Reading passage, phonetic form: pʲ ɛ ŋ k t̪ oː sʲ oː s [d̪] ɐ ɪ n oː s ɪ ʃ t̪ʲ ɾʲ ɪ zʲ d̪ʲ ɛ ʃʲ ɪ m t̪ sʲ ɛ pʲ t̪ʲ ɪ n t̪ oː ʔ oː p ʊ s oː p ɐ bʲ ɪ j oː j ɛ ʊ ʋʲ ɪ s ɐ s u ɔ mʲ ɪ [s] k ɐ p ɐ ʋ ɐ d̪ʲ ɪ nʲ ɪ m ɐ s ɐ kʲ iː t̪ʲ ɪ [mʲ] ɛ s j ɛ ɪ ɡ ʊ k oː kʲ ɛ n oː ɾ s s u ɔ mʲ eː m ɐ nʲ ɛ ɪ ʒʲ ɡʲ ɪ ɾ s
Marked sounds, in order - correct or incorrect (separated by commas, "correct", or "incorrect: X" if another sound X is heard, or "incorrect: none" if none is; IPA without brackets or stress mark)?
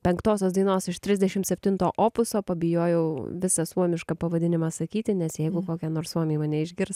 correct, incorrect: ʃ, incorrect: nʲ